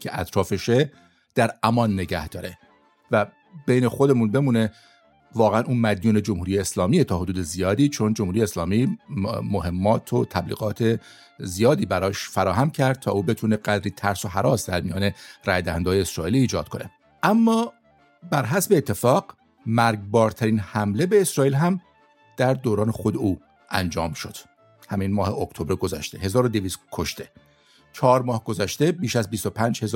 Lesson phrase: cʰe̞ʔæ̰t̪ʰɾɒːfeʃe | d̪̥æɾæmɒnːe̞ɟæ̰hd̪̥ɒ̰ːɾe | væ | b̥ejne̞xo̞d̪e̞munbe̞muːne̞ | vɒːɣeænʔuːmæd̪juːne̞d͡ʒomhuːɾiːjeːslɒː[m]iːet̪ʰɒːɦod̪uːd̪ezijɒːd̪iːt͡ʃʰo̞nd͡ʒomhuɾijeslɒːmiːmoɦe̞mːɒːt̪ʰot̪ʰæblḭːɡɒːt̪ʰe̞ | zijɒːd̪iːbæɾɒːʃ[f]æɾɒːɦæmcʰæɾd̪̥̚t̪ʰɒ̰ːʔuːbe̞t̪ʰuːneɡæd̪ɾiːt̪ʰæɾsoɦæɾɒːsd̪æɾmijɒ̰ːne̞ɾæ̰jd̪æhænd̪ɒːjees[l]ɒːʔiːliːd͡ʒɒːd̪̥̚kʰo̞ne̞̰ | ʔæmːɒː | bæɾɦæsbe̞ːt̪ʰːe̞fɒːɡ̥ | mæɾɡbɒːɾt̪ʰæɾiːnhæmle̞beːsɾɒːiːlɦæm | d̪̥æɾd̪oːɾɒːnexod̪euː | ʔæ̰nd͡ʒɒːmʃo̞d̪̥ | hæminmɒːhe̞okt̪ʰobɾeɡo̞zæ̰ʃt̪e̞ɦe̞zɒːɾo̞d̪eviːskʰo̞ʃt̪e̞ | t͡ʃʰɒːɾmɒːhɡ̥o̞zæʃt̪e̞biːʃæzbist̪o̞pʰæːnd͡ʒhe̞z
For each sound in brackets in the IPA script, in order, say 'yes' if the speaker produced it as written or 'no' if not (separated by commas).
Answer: yes, yes, no